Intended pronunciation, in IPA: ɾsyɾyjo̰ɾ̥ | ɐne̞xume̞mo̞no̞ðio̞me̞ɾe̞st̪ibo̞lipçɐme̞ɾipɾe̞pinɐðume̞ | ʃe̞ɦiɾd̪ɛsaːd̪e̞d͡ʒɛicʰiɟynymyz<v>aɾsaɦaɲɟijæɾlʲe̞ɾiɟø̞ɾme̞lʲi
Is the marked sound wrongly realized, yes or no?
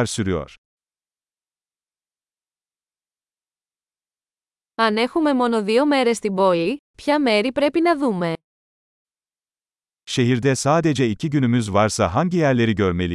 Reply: no